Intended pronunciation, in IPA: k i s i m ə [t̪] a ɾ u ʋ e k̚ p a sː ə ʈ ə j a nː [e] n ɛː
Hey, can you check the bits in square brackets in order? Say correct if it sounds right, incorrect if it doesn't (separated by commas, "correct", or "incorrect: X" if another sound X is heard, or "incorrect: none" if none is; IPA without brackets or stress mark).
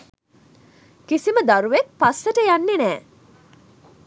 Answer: incorrect: d̪, correct